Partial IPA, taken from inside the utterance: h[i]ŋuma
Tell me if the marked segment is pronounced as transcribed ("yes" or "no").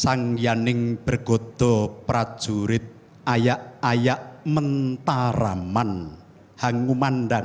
no